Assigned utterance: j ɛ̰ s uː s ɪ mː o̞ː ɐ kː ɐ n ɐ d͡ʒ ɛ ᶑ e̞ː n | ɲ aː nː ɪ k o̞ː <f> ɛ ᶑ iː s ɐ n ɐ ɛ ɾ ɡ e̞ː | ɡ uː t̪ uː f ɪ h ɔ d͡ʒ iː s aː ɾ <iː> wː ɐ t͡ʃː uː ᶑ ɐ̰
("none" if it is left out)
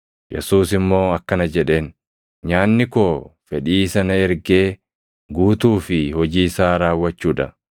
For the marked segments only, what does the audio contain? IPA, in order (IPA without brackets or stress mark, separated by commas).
f, aː